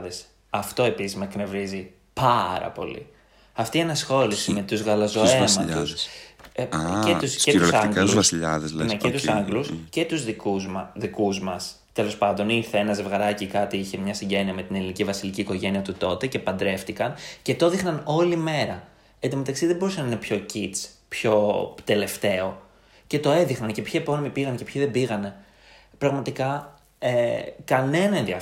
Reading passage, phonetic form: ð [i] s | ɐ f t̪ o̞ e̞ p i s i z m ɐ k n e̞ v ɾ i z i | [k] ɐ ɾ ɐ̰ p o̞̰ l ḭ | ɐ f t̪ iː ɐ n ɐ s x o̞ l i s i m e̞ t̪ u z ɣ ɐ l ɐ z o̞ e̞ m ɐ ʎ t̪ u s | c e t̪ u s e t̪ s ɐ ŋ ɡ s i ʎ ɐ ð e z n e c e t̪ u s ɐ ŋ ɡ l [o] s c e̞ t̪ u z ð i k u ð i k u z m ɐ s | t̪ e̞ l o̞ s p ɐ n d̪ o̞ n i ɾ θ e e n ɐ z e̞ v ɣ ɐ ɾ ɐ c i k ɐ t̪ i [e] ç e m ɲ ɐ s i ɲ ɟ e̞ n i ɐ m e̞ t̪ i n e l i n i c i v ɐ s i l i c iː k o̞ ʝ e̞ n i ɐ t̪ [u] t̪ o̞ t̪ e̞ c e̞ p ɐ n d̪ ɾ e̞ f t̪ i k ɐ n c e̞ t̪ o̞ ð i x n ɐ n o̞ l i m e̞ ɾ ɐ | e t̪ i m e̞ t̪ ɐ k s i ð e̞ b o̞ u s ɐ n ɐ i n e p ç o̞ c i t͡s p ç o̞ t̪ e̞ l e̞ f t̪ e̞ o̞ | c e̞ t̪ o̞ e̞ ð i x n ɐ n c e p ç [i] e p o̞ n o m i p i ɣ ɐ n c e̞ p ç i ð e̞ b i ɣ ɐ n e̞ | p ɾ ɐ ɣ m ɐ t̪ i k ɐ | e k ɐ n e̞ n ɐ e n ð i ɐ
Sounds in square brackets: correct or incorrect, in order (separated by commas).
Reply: incorrect, incorrect, incorrect, incorrect, correct, correct